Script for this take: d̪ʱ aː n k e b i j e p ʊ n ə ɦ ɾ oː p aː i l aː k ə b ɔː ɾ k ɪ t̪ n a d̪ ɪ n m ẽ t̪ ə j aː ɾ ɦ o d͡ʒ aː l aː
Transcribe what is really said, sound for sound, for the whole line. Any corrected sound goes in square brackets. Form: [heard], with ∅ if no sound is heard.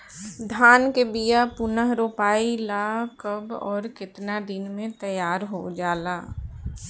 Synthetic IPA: d̪ʱ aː n k e b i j [a] p ʊ n ə ɦ ɾ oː p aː i l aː k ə b ɔː ɾ k ɪ t̪ n a d̪ ɪ n m ẽ t̪ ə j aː ɾ ɦ o d͡ʒ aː l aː